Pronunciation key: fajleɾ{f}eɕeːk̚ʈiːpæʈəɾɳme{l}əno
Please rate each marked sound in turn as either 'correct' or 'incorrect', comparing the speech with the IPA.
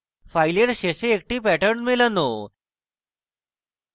incorrect: ɕ, correct

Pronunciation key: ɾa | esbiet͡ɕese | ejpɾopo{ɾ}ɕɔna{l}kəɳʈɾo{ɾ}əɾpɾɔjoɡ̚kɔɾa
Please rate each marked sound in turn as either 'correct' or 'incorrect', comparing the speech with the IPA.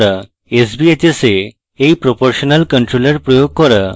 correct, correct, incorrect: l

